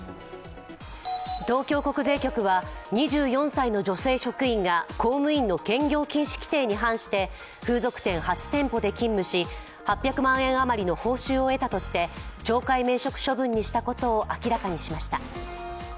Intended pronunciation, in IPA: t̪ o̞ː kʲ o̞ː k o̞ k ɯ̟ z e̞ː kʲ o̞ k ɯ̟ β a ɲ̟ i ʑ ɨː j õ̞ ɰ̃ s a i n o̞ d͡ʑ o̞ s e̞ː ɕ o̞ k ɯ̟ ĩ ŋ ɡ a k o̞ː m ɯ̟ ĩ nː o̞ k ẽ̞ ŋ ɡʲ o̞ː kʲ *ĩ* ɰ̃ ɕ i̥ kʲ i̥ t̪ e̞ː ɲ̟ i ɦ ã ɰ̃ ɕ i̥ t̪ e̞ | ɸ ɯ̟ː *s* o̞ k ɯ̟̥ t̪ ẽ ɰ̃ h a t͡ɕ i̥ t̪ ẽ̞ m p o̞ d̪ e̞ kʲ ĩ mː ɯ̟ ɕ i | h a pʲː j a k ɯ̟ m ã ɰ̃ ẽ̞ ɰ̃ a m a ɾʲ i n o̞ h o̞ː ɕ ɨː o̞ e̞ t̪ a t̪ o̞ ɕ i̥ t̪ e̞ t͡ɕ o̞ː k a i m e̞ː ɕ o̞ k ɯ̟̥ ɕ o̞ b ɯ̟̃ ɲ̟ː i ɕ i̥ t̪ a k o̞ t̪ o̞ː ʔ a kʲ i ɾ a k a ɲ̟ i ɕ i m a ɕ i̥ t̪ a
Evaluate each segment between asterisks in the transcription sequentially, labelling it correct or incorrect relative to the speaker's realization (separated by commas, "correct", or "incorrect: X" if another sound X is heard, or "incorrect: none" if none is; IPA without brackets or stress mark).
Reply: correct, incorrect: z